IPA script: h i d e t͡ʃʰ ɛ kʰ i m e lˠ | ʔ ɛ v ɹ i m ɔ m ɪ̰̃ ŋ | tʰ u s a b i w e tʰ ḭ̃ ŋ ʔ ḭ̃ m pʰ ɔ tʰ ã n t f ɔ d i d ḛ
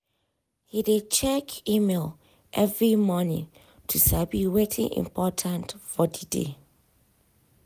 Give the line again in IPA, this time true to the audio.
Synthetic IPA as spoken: h i d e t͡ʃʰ ɛ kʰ i m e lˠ | ʔ ɛ v ɹ i m ɔ n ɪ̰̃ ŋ | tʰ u s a b i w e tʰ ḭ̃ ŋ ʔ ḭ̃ m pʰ ɔ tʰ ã n t f ɔ d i d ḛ